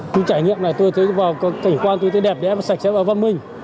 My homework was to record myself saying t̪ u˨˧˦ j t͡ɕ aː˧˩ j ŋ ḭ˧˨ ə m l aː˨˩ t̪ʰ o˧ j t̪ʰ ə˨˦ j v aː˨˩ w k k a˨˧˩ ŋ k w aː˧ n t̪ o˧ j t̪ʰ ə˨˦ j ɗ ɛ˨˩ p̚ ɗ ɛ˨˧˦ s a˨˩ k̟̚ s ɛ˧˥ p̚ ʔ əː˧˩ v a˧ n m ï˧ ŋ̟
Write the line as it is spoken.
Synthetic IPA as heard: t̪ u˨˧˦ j t͡ɕ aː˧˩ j ŋ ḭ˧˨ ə m l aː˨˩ t̪ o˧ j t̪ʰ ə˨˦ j v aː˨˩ w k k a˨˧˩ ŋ k w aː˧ n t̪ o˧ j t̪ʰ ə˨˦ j ɗ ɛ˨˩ p̚ ɗ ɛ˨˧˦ s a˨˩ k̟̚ s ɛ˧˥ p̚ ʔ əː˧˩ v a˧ n m ï˧ ŋ̟